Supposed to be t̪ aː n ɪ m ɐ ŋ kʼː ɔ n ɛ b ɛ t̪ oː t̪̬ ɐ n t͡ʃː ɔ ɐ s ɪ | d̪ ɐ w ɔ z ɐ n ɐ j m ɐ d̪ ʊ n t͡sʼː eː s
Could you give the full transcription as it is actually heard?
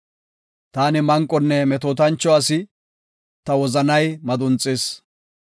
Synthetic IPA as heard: t̪ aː n ɪ m ɐ ŋ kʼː ɔ nː ɛ m ɛ t̪ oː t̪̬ ɐ n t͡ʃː ɔ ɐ s ɪ | t̪ ɐ w ɔ z ɐ n ɐ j m ɐ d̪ ʊ n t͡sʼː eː s